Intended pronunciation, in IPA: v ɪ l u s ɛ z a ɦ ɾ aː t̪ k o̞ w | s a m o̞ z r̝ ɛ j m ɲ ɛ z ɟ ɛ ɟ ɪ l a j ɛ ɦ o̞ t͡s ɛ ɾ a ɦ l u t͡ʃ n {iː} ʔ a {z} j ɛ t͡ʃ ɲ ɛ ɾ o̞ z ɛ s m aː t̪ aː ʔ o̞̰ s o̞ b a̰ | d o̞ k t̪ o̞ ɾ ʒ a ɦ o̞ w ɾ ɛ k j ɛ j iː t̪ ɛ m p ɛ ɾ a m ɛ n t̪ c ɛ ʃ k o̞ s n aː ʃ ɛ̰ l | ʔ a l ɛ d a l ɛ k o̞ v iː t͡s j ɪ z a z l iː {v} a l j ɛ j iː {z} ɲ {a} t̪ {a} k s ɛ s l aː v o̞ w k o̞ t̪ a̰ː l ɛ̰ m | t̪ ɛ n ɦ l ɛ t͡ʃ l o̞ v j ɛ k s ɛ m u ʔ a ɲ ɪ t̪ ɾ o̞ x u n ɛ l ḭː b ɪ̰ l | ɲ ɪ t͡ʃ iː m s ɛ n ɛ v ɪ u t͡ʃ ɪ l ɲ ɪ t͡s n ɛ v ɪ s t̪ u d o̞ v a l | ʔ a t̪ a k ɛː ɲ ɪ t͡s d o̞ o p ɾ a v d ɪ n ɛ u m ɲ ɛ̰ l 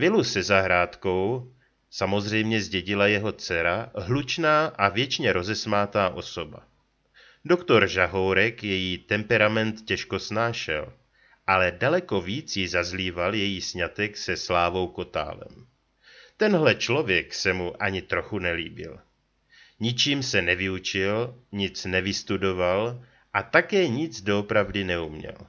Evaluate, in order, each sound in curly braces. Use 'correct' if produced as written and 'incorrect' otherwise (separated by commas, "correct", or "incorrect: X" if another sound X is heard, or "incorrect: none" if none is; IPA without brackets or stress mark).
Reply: incorrect: aː, incorrect: v, correct, incorrect: s, correct, incorrect: ɛ